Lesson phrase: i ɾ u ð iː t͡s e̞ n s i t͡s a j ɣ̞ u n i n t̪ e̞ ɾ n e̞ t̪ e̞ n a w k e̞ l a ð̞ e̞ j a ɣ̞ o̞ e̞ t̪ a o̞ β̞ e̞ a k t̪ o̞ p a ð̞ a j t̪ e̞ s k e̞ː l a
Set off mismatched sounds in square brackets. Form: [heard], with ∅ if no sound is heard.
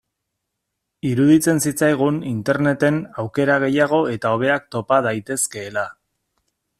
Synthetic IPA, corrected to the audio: i ɾ u ð [i] t͡s e̞ n s i t͡s a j ɣ̞ u n i n t̪ e̞ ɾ n e̞ t̪ e̞ n a w k e̞ [ɾ] a [ɣ̞] e̞ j a ɣ̞ o̞ e̞ t̪ a o̞ β̞ e̞ a k t̪ o̞ p a ð̞ a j t̪ e̞ s k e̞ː l a